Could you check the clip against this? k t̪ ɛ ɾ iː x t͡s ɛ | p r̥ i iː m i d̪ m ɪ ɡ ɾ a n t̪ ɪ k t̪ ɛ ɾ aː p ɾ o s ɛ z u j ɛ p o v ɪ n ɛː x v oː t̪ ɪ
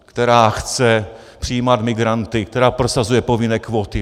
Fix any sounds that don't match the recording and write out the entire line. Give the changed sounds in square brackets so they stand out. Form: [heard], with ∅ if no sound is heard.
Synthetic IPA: k t̪ ɛ ɾ [aː] x t͡s ɛ | p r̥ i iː m [a] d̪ m ɪ ɡ ɾ a n t̪ ɪ k t̪ ɛ ɾ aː p ɾ o s [a] z u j ɛ p o v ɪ n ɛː [k] v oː t̪ ɪ